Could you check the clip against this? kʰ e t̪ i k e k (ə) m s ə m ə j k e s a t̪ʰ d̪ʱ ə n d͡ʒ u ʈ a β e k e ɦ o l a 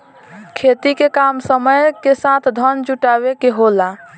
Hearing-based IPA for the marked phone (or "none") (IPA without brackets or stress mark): a